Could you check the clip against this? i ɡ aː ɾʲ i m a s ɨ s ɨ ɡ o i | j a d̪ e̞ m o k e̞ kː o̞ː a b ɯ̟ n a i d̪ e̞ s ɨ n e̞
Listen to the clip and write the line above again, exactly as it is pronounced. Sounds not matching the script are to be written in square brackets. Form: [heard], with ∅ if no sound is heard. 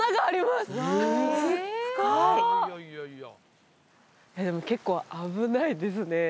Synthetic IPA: [a] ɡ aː ɾʲ i m a s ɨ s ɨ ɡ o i | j a d̪ e̞ m o k e̞ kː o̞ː a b ɯ̟ n a i d̪ e̞ s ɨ n e̞